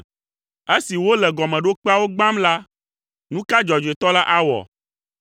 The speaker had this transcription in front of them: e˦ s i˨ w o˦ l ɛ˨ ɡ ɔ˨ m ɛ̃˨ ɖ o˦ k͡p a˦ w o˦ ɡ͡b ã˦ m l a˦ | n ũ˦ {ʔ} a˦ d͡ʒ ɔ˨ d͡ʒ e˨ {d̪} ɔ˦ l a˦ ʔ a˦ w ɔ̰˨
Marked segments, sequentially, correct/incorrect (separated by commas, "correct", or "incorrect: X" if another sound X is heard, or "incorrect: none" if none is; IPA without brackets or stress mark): incorrect: k, incorrect: t̪